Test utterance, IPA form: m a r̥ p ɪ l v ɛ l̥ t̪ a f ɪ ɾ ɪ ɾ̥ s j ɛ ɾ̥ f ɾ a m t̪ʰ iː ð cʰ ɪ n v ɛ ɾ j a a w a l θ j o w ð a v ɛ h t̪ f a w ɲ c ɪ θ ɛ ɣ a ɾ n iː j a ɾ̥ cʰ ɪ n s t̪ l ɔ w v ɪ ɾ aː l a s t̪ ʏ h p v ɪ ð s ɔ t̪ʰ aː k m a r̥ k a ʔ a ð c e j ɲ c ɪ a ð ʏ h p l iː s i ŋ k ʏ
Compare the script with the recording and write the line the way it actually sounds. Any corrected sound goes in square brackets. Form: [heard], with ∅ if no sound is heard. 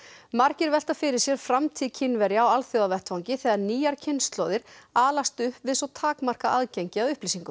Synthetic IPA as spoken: m a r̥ [c] ɪ [ɾ] v ɛ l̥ t̪ a f ɪ ɾ ɪ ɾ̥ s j ɛ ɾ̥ f ɾ a m t̪ʰ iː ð cʰ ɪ n v ɛ ɾ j a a w a l θ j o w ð a v ɛ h t̪ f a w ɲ c ɪ θ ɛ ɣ a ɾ n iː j a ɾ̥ cʰ ɪ n s t̪ l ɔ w [ð] ɪ ɾ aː l a s t̪ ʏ h p v ɪ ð s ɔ t̪ʰ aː k m a r̥ k a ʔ a ð c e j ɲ c ɪ a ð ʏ h p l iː s i ŋ k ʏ